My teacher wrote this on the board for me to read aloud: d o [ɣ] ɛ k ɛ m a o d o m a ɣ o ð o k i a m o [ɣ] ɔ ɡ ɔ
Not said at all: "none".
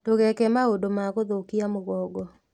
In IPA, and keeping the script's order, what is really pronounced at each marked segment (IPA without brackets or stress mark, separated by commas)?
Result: ɣ, ɣ